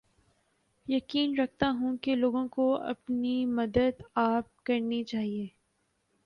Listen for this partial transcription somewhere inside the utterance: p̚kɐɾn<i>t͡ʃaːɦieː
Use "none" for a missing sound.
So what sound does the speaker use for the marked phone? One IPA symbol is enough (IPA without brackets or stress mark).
i